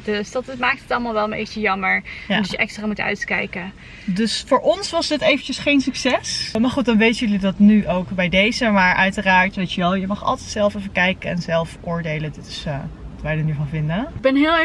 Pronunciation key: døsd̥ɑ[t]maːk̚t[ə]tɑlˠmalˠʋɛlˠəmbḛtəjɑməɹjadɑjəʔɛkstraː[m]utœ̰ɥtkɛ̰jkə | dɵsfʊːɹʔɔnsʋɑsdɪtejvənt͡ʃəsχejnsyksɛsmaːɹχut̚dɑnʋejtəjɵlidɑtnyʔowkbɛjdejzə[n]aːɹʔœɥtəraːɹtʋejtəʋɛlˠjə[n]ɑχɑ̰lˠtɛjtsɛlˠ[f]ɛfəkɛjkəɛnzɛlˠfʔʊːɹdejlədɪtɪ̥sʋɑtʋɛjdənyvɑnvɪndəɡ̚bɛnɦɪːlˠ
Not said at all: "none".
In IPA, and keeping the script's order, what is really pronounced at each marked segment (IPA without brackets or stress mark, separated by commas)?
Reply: t, ə, m, m, m, f